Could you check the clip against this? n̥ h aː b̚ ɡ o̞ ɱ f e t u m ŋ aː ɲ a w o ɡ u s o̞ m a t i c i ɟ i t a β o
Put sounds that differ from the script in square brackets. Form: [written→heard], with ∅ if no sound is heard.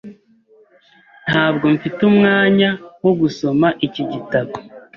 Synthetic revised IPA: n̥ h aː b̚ ɡ o̞ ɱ f [e→i] t u m ŋ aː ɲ a w o ɡ u s o̞ m a [t→ʔ] i c i ɟ i t a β o